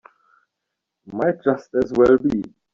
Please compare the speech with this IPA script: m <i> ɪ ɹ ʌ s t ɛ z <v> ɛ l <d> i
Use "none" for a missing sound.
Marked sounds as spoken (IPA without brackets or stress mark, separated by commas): a, w, b